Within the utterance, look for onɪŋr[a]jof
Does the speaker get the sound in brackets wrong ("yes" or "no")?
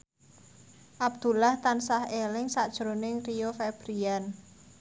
yes